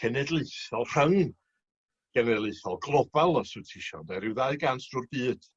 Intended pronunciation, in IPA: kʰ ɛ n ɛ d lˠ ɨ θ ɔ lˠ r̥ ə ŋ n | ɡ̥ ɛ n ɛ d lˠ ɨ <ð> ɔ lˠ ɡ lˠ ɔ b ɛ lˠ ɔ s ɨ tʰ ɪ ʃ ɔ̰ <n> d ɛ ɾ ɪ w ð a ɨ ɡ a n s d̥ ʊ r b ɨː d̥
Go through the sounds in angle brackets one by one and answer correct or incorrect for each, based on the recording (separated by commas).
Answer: incorrect, correct